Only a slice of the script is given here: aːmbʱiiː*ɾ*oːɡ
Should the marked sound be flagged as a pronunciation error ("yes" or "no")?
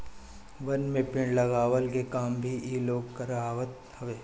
yes